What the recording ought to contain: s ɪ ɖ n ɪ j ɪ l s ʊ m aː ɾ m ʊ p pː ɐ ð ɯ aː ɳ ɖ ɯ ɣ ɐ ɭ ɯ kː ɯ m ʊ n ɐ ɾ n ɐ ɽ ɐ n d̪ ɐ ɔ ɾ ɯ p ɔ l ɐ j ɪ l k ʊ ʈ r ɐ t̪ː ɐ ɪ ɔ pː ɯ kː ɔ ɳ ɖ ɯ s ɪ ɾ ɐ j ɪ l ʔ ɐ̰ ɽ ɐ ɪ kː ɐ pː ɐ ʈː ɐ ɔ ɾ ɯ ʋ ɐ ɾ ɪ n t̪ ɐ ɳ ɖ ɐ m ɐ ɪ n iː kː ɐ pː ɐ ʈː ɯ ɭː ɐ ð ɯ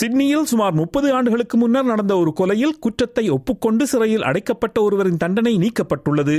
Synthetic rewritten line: s ɪ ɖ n ɪ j ɪ l s ʊ m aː ɾ m ʊ p pː ɐ ð ɯ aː ɳ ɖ ɯ ɣ ɐ ɭ ɯ kː ɯ m ʊ nː ɐ ɾ n ɐ ɽ ɐ n d̪ ɐ ɔ ɾ ɯ k ɔ l ɐ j ɪ l k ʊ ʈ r ɐ t̪ː ɐ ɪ ɔ pː ɯ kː ɔ ɳ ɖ ɯ s ɪ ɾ ɐ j ɪ l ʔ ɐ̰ ɽ ɐ ɪ kː ɐ pː ɐ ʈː ɐ ɔ ɾ ɯ ʋ ɐ ɾ ɪ n t̪ ɐ ɳ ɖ ɐ n ɐ ɪ n iː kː ɐ pː ɐ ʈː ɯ ɭː ɐ ð ɯ